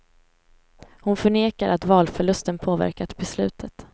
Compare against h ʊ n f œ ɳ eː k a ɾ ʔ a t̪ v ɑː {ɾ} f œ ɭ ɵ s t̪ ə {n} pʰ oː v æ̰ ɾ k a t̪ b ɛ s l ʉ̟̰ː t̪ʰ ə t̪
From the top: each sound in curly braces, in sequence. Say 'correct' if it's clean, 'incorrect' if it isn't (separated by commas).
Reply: incorrect, correct